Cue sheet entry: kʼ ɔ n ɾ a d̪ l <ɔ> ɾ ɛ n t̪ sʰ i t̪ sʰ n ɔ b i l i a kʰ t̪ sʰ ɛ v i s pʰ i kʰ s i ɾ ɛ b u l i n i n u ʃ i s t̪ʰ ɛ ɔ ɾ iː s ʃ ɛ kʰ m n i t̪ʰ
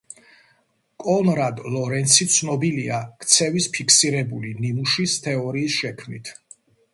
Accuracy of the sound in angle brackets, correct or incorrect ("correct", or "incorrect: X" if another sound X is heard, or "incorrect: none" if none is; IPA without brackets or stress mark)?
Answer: correct